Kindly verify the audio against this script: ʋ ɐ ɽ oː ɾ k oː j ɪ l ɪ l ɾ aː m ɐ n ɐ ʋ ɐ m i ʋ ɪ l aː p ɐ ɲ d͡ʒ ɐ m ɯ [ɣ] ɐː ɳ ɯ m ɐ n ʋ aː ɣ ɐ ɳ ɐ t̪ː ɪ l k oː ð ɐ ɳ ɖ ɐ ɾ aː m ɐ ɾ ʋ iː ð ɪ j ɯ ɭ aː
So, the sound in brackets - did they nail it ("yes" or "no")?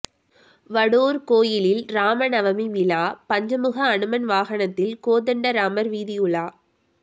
yes